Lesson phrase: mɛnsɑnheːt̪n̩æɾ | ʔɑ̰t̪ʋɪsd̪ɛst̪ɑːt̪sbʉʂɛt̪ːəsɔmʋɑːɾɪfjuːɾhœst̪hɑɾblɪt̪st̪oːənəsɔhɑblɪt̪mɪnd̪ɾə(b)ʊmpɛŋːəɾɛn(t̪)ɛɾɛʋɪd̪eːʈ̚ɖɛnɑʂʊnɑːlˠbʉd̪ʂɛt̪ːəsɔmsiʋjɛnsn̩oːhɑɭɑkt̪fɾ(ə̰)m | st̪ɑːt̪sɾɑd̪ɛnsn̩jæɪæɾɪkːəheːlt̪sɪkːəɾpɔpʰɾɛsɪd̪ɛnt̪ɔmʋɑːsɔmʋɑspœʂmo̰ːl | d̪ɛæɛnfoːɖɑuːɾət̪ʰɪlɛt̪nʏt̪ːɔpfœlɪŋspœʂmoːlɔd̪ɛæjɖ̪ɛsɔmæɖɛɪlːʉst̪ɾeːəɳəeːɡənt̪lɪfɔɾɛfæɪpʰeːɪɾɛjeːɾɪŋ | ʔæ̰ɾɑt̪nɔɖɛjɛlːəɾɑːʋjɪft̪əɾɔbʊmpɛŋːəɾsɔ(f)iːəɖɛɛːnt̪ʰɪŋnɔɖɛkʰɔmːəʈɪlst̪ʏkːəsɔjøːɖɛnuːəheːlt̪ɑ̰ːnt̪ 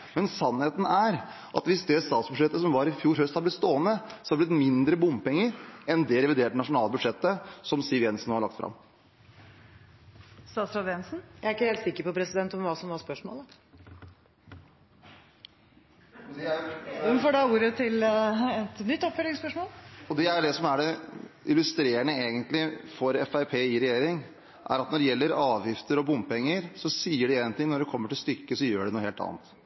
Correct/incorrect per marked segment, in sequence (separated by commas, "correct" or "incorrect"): correct, incorrect, incorrect, incorrect